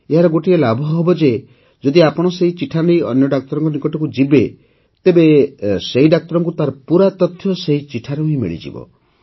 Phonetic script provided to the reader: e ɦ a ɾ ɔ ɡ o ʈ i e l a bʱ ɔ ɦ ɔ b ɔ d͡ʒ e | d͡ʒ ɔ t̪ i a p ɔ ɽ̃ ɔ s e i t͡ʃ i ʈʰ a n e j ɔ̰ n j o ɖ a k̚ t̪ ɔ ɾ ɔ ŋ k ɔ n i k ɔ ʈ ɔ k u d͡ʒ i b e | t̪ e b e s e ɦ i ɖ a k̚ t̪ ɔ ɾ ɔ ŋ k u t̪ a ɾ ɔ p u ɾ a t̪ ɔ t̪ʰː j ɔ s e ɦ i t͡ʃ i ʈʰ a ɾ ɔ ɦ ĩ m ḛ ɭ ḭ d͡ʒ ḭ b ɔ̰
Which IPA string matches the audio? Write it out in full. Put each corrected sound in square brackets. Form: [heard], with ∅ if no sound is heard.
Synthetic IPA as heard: e ɦ a ɾ ɔ ɡ o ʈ i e l a bʱ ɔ ɦ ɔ b ɔ d͡ʒ e | d͡ʒ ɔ [d̪] i a p ɔ ɽ̃ ɔ s e i t͡ʃ i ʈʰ a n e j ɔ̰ n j [ɔ] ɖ a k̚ t̪ ɔ ɾ ɔ ŋ k ɔ n i k ɔ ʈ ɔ k u d͡ʒ i b e | t̪ e b e s e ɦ i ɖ a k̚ t̪ ɔ ɾ ɔ ŋ k u t̪ a ɾ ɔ p u ɾ a t̪ ɔ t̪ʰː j ɔ s e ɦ i t͡ʃ i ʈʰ a ɾ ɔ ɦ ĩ m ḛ ɭ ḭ d͡ʒ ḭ b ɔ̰